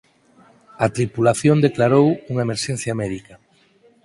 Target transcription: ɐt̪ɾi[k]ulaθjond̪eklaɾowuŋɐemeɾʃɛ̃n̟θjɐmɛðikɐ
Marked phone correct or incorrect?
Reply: incorrect